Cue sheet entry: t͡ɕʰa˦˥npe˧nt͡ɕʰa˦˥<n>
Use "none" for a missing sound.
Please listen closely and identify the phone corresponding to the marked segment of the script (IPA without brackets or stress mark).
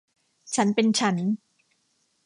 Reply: n